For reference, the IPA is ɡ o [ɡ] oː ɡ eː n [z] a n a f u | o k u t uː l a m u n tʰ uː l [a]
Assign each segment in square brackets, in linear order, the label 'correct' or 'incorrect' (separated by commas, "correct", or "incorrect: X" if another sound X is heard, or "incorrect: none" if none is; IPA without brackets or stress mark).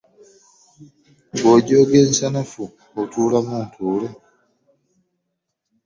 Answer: incorrect: ɟ, incorrect: s, incorrect: e